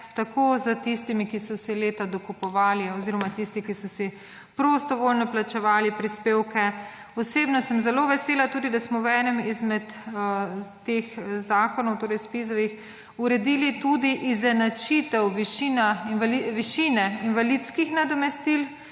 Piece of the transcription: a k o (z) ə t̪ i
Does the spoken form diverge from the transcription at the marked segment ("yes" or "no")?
no